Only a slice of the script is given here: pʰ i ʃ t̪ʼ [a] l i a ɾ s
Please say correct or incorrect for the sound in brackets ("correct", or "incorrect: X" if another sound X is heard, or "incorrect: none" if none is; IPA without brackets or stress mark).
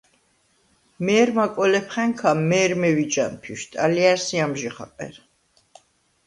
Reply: correct